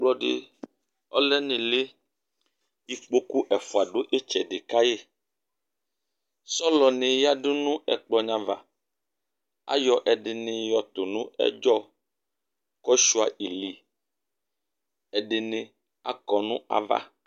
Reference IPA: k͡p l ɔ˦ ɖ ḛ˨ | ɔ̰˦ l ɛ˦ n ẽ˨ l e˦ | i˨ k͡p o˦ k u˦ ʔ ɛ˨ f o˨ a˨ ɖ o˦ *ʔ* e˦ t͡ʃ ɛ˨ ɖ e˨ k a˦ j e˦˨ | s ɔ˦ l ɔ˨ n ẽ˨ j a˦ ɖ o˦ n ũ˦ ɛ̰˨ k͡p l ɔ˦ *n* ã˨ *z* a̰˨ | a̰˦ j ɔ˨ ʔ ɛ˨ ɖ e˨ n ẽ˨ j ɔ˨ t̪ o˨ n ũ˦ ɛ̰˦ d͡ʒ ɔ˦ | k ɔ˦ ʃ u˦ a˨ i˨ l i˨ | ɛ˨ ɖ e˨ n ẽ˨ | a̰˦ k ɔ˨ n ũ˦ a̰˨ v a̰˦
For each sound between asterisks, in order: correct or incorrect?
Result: correct, incorrect, incorrect

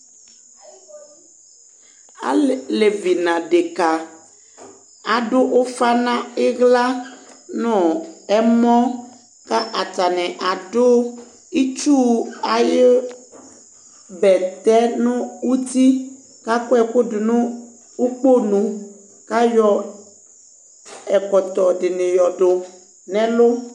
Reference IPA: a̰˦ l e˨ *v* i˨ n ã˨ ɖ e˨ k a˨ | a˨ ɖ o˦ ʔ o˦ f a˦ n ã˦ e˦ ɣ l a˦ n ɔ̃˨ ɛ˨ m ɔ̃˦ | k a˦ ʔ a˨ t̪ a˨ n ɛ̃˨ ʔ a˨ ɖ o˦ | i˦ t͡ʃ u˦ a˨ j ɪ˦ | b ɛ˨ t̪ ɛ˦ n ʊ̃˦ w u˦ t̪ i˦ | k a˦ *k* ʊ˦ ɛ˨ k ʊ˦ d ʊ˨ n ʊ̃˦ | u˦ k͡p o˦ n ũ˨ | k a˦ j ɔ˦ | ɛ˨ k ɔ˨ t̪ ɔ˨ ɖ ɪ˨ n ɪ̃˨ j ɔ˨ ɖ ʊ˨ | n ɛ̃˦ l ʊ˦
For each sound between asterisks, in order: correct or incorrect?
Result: correct, correct

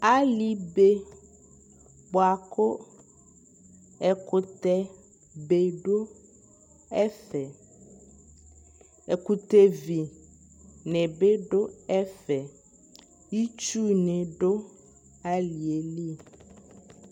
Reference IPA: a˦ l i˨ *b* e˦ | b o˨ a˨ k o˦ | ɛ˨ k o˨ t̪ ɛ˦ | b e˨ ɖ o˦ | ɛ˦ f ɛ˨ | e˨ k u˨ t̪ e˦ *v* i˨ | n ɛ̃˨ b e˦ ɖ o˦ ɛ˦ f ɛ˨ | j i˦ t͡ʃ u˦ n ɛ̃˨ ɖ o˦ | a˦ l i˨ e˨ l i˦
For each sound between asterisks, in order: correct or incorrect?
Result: correct, correct

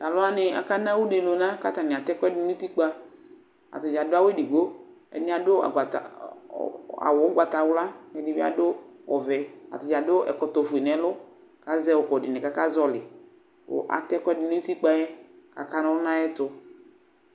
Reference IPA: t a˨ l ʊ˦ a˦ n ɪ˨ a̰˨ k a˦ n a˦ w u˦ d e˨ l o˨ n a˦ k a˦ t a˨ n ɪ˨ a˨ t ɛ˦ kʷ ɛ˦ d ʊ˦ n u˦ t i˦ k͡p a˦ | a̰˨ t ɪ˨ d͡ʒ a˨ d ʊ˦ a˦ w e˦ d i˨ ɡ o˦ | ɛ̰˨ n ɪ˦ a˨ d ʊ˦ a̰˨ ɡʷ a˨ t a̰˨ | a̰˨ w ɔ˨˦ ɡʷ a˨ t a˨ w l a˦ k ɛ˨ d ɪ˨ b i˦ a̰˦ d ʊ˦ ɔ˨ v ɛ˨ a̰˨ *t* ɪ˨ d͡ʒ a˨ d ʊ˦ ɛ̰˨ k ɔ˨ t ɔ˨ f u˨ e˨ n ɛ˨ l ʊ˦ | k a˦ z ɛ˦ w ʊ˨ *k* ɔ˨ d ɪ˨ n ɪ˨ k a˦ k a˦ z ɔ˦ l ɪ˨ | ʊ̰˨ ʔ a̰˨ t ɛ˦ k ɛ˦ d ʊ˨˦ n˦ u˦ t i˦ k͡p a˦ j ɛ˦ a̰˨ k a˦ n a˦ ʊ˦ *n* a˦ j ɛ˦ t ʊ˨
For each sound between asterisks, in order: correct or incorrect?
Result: correct, correct, correct

